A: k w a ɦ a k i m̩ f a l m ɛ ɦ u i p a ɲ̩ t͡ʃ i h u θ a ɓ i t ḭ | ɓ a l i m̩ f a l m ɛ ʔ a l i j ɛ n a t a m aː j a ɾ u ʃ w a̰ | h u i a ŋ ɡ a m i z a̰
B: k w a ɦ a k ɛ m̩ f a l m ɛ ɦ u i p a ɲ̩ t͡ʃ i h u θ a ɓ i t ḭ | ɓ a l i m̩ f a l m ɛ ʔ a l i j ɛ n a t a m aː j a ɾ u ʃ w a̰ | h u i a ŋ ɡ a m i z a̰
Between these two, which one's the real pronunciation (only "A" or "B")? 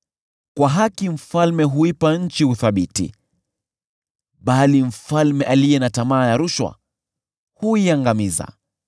A